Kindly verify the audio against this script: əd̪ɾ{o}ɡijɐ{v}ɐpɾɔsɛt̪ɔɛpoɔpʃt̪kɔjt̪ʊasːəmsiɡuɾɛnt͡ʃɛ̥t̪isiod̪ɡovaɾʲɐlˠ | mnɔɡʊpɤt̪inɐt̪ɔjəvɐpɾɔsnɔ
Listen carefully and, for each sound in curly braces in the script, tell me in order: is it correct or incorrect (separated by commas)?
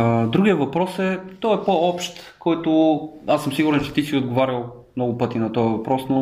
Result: incorrect, correct